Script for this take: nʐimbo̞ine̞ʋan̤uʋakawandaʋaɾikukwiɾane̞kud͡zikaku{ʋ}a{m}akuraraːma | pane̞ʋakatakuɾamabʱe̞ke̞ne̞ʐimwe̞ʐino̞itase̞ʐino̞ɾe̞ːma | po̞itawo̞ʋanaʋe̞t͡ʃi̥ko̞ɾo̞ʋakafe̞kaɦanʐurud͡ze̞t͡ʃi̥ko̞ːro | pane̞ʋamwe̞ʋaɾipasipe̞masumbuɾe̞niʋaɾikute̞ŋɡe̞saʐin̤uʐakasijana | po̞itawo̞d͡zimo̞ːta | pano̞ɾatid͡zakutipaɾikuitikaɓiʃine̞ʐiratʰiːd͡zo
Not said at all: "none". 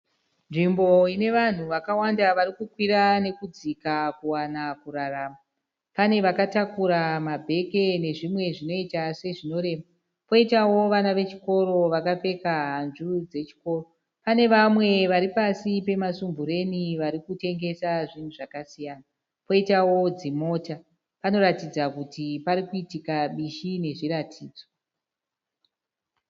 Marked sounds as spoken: w, n

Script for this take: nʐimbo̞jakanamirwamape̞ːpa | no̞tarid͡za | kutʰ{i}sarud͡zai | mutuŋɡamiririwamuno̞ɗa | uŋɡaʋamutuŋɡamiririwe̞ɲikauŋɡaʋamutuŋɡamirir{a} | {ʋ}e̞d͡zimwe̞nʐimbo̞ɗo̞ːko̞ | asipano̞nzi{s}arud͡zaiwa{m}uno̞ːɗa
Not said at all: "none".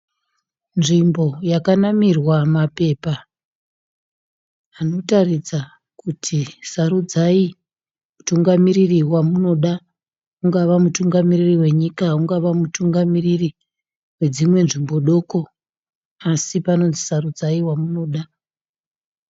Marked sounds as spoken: i, i, w, s, m

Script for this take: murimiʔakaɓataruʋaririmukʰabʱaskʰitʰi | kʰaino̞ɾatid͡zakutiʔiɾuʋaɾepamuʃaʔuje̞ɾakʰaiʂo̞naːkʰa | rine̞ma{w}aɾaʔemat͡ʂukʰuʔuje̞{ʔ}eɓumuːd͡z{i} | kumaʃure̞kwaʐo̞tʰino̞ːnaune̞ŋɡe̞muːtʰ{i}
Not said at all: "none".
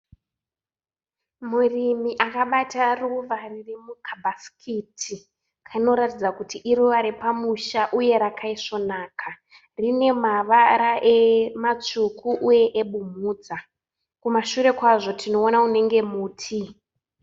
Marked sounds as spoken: ʋ, ʔ, a, i

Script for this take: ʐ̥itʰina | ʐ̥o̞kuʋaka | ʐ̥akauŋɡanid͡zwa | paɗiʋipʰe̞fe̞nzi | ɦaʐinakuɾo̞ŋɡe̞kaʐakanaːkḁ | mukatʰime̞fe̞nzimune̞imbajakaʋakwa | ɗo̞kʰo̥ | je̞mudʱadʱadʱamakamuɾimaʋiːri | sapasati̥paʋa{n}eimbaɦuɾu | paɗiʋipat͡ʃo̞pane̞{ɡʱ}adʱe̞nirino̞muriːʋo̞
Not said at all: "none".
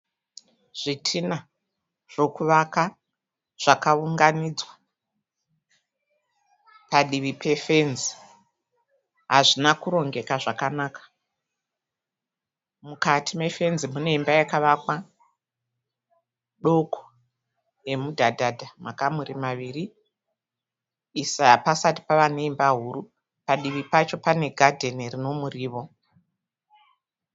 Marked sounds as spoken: n, ɡʱ

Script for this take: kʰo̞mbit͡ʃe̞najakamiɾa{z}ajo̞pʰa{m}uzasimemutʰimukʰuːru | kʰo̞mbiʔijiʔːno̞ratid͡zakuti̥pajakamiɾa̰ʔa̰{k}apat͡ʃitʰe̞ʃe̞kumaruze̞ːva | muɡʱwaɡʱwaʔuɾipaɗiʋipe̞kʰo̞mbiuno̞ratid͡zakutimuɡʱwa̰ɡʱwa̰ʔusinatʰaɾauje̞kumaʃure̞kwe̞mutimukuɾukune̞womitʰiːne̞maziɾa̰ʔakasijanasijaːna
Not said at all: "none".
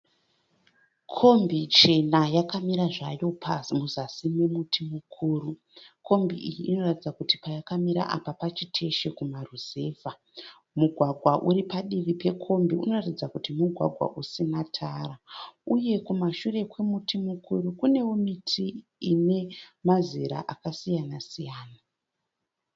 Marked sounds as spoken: ʐ, m, p

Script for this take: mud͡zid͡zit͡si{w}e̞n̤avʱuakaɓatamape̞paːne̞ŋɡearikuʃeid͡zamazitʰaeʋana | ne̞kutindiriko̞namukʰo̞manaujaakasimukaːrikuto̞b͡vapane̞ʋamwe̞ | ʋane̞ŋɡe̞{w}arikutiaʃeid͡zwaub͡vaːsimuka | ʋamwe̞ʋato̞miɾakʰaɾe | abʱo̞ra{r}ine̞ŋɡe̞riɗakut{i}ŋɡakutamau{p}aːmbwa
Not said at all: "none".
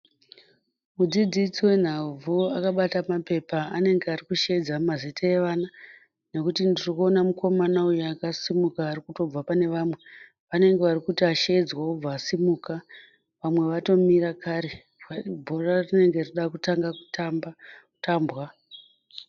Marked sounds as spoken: w, ʋ, r, a, t

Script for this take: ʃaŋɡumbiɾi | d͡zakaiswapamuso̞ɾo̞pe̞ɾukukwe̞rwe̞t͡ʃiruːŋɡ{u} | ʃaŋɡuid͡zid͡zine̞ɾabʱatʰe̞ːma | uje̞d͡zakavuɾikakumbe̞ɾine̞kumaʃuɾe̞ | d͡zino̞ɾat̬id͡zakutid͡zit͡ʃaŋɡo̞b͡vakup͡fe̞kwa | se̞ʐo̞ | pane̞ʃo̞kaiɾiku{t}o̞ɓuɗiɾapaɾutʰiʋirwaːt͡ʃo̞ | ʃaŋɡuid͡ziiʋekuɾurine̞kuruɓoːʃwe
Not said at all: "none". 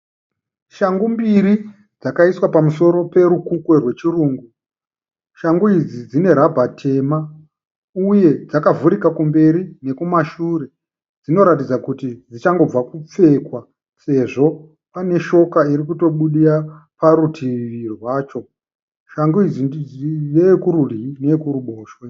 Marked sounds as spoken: u, t

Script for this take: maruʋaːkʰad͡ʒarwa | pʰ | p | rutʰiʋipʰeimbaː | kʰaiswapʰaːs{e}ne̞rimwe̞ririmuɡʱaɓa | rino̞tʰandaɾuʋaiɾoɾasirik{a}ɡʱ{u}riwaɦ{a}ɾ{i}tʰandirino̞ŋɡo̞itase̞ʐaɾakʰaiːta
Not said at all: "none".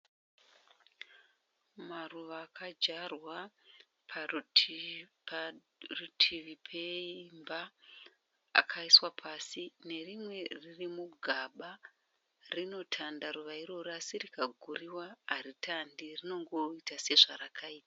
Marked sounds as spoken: i, a, u, a, i

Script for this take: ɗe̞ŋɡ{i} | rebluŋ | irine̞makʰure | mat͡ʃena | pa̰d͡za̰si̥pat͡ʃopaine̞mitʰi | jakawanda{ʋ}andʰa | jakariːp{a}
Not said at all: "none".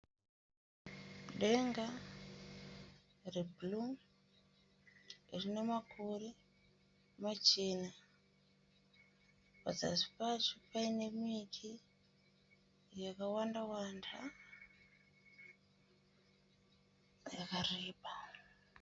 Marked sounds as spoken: a, w, a

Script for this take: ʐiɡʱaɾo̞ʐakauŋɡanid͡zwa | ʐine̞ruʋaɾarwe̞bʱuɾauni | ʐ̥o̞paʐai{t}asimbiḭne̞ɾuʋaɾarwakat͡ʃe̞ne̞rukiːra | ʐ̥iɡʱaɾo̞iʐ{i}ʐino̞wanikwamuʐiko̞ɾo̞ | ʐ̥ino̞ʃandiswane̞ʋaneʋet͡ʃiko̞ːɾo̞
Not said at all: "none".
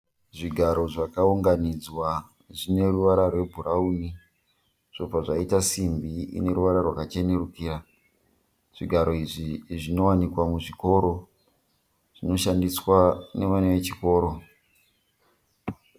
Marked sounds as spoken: t, i

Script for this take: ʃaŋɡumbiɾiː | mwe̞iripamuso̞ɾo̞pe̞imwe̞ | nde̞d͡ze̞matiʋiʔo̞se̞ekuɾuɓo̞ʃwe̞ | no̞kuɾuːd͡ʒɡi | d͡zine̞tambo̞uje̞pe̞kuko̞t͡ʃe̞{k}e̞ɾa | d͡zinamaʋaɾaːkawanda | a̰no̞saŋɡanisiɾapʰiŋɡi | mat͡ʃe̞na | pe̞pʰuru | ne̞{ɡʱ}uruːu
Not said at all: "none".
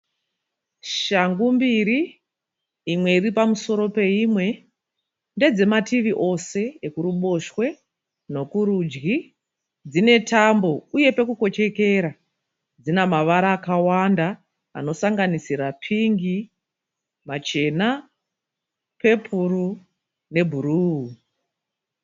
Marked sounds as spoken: k, bʱ

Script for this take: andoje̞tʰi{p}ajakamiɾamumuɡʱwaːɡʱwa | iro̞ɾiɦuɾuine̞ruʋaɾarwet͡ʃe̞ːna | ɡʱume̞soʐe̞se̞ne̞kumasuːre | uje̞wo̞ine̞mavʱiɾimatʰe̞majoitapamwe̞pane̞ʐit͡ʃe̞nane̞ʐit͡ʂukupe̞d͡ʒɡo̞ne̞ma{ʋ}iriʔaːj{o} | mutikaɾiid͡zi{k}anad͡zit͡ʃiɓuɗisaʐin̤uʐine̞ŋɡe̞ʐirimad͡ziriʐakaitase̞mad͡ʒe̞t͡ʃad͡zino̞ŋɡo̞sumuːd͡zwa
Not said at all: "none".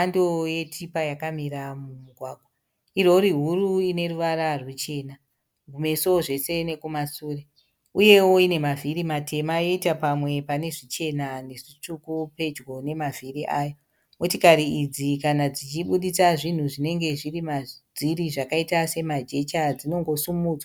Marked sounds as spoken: p, v, o, k

